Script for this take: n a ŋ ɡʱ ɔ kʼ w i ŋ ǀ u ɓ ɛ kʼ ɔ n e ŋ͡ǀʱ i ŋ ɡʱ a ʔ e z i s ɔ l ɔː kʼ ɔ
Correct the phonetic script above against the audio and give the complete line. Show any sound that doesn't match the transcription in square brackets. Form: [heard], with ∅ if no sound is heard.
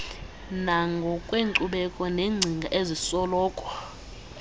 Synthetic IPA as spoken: n a ŋ ɡʱ ɔ kʼ w [e] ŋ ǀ u ɓ ɛ kʼ ɔ n e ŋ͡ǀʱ i ŋ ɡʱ a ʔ e z i s ɔ l ɔː kʼ ɔ

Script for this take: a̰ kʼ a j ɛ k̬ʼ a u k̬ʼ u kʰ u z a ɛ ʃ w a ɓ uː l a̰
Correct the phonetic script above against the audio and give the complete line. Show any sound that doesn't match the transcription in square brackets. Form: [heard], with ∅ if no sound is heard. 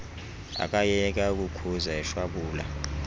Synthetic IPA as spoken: a̰ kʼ a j ɛ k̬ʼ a u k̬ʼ u kʰ u z a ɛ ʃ w a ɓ uː l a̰

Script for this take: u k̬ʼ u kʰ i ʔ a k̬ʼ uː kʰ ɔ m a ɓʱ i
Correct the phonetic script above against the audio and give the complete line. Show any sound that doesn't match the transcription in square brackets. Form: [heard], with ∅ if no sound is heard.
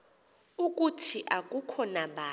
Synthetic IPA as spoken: u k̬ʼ u [tʰ] i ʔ a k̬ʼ [u] kʰ ɔ [n] a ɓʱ [a]

